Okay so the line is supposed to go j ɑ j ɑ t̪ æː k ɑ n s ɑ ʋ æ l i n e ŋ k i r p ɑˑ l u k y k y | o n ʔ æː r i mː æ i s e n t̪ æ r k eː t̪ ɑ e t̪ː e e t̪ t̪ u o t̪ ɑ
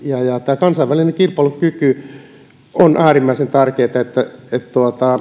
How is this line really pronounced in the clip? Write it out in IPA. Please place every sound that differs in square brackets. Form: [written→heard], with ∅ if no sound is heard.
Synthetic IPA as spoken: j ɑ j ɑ t̪ æː k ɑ n s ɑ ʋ æ l i n e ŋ k i r p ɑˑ l u k y k y | o n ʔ æː r i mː æ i s e n t̪ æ r k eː t̪ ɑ e t̪ː [e→æ] e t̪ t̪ u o t̪ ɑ